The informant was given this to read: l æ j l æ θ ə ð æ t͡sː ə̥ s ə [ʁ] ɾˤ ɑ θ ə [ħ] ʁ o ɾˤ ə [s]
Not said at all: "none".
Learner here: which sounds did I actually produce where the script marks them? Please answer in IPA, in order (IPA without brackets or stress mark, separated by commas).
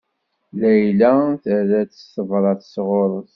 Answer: v, s, θ